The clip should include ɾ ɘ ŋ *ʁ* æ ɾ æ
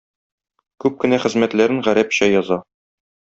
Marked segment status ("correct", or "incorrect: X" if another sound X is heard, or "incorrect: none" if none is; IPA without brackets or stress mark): correct